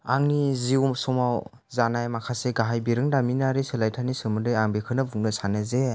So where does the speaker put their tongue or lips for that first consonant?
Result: velum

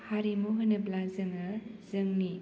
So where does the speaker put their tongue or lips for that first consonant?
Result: throat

